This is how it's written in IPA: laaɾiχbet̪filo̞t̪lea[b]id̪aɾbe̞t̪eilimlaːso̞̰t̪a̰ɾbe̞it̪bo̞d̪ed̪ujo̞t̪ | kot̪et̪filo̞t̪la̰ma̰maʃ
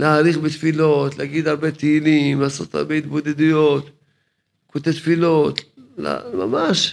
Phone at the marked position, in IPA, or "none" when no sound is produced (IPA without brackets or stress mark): ɡ